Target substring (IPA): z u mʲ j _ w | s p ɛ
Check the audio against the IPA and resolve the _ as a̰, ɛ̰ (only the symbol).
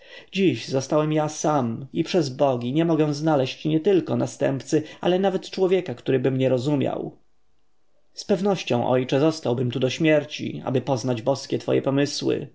a̰